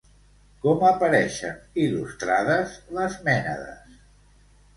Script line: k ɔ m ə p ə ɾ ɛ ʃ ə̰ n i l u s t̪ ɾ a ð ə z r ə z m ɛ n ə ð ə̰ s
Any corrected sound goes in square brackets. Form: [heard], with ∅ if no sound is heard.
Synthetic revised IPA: k ɔ m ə p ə ɾ ɛ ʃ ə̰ n i l u s t̪ ɾ a ð ə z [l] ə z m ɛ n ə ð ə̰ s